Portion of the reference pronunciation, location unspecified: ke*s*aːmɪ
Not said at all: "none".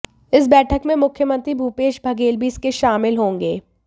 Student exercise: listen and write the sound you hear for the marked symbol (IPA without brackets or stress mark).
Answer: ʃ